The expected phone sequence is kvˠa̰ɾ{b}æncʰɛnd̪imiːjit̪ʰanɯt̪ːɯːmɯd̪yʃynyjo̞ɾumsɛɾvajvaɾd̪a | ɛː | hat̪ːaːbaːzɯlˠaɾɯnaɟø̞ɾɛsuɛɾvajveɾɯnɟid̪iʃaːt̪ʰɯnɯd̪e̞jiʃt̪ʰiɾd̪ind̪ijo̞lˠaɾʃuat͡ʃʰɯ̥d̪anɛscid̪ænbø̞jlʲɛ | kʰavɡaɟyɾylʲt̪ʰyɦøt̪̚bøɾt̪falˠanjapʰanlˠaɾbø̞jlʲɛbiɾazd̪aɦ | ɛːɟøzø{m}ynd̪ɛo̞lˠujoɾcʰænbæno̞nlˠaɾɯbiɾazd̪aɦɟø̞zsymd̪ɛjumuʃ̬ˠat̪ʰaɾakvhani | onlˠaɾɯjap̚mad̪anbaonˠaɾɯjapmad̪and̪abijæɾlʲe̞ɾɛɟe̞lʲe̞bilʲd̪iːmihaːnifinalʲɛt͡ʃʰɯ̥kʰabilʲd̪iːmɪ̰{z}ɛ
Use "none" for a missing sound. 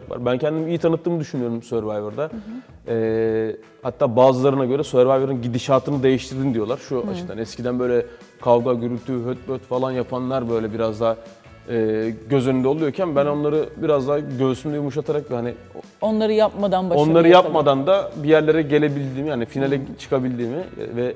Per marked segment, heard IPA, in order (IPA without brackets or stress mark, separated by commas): b, n, v